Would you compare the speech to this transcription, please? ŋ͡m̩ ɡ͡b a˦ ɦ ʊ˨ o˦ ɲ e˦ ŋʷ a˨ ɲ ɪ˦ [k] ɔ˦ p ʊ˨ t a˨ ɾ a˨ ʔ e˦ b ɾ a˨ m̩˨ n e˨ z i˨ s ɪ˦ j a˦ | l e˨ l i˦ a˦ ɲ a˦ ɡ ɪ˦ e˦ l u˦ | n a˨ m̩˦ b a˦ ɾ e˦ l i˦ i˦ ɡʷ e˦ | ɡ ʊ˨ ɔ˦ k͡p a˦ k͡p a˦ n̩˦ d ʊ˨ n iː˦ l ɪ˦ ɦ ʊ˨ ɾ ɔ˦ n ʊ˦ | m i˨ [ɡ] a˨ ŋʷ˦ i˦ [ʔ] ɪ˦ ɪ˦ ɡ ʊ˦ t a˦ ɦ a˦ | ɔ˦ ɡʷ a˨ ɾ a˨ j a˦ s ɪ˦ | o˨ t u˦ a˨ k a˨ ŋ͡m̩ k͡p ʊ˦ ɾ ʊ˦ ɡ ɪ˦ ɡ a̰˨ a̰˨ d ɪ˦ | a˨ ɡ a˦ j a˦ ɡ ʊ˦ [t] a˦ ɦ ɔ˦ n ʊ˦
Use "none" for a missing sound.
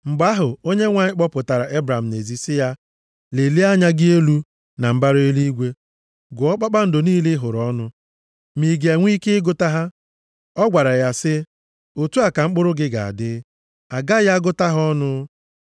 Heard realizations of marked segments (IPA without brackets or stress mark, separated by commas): k͡p, ɡ, k, t